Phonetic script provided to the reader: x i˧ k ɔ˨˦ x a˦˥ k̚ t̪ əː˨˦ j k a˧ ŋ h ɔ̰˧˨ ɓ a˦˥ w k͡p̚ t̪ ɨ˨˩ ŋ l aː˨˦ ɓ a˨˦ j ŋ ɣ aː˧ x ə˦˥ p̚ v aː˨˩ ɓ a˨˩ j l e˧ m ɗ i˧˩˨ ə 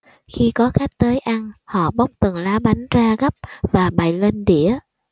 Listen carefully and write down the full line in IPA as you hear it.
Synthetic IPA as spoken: x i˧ k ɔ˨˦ x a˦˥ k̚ t̪ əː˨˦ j ʔ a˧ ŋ h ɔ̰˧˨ ɓ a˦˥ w k͡p̚ t̪ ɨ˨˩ ŋ l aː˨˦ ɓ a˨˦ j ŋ z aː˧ ɣ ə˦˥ p̚ v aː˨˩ ɓ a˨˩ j l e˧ n ɗ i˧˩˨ ə